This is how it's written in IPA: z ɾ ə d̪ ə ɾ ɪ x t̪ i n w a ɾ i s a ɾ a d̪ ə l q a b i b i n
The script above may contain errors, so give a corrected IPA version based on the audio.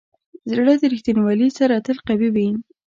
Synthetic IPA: z ɽ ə d̪ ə ɾ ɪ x t̪ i n w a l i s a ɾ a t̪ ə l q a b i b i n